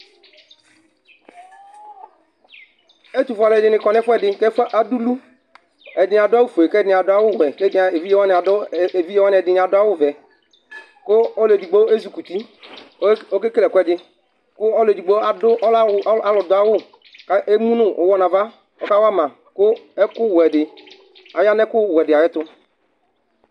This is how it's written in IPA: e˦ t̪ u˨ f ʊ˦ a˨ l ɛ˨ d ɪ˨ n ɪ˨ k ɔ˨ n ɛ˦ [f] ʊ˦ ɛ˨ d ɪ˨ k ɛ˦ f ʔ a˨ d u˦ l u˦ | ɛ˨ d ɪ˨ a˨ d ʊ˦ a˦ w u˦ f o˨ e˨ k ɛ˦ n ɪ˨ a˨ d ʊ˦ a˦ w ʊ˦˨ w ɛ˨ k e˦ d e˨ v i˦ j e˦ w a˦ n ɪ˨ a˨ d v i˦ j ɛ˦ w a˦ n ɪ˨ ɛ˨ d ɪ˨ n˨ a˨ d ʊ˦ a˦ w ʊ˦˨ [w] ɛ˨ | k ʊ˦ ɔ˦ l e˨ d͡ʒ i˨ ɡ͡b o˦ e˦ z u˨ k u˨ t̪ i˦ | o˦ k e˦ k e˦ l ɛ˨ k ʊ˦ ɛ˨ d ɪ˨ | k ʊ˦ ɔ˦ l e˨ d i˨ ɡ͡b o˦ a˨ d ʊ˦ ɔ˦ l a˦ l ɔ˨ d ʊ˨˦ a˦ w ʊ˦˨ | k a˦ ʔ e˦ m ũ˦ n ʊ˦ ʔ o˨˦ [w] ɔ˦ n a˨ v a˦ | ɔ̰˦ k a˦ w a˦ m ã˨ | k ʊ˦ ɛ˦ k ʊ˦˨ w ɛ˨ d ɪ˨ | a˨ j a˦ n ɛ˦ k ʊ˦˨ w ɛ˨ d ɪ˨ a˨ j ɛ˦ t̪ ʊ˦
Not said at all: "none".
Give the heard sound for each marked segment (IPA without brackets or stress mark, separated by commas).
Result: f, v, w